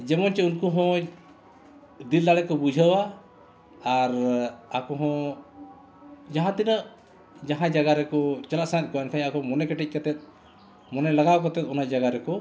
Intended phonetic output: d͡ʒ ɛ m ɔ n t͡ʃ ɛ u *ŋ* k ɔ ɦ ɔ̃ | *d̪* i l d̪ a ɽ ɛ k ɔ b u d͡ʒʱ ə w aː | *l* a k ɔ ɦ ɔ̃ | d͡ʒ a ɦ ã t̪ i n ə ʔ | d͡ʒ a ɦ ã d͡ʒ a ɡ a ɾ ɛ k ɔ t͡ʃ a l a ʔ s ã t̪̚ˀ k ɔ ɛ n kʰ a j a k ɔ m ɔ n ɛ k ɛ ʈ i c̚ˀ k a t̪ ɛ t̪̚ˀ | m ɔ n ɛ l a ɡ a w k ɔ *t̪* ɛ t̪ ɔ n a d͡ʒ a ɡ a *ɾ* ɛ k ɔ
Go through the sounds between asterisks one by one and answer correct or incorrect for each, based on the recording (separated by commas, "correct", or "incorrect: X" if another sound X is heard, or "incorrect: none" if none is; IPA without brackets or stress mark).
incorrect: n, correct, incorrect: ɾ, correct, correct